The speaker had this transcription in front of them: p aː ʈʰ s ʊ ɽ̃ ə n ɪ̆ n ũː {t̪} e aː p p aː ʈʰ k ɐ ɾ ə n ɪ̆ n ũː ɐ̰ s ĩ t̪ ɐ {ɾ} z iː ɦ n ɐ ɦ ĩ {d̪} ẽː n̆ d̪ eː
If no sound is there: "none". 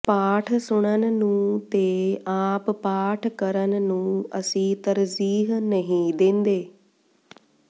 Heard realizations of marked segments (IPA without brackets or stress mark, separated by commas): t̪, ɾ, d̪